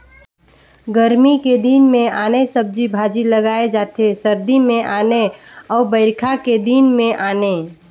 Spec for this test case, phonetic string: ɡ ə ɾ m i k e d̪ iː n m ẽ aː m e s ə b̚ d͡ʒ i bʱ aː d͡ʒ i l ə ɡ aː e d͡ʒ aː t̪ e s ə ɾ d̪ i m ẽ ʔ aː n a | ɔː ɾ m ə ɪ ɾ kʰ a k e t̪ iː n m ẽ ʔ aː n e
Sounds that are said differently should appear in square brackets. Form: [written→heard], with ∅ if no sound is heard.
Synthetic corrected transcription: ɡ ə ɾ m i k e d̪ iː n m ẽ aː [m→n] e s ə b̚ d͡ʒ i bʱ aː d͡ʒ i l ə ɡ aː e d͡ʒ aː t̪ e s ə ɾ d̪ i m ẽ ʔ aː n [a→e] | ɔː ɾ [m→b] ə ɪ ɾ kʰ a k e [t̪→d̪] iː n m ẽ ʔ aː n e

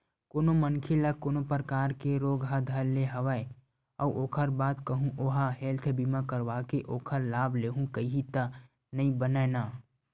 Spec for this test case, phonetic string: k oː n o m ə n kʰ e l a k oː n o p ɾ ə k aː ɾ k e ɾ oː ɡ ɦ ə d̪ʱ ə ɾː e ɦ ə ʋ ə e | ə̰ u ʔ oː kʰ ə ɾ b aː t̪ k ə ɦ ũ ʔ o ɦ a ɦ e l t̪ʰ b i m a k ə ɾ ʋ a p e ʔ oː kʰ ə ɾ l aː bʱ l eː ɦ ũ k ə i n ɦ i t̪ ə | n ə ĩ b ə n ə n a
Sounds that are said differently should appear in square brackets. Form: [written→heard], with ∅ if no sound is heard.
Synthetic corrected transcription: k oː n o m ə n kʰ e l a k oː n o p ɾ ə k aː ɾ k e ɾ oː ɡ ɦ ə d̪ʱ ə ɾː e ɦ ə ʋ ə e | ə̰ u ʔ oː kʰ ə ɾ b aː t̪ k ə ɦ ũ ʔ o ɦ a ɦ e l t̪ʰ b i m a k ə ɾ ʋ a [p→k] e ʔ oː kʰ ə ɾ l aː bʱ l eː ɦ ũ k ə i [n→∅] ɦ i t̪ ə | n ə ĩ b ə n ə n a

